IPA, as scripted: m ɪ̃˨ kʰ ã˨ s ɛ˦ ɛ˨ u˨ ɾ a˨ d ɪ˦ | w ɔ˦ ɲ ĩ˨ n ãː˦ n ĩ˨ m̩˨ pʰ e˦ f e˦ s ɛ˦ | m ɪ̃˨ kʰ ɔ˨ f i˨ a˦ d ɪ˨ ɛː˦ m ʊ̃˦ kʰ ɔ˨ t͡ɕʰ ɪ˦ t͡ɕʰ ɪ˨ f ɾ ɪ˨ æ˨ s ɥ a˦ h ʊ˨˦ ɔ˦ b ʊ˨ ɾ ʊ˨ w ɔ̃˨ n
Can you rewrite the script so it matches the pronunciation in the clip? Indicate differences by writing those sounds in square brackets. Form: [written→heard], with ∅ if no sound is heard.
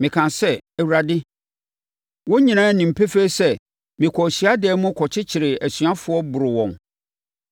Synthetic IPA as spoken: m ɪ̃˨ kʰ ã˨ s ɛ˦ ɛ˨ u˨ ɾ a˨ d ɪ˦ | w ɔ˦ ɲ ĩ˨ n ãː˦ n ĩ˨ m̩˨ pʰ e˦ f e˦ s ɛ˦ | m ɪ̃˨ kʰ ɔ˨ [f→ɕ] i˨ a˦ d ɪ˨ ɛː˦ m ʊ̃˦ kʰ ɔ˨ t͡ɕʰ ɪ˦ t͡ɕʰ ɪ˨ [f→∅] ɾ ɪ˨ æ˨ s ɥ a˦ [h→f] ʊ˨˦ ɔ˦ b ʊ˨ ɾ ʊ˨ w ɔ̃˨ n